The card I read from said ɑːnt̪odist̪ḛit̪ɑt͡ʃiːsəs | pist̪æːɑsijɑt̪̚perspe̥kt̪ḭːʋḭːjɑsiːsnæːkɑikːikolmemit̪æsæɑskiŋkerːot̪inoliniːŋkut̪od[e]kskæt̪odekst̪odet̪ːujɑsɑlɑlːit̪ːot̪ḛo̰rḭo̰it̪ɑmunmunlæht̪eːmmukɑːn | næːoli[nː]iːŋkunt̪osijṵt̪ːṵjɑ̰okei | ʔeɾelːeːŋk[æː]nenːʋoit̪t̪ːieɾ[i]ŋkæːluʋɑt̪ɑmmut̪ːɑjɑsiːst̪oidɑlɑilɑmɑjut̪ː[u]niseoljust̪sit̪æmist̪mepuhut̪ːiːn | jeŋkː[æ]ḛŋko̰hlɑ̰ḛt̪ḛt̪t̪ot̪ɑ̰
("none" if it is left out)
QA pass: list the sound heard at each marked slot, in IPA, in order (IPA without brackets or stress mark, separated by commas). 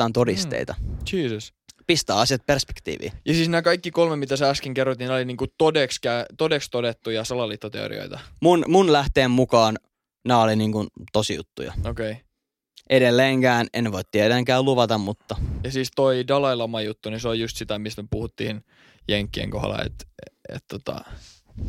e, n, æː, æ, u, i